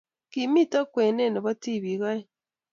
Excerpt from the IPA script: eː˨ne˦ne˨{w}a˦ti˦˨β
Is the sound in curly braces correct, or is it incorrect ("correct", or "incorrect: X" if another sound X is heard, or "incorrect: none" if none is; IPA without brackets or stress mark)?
incorrect: β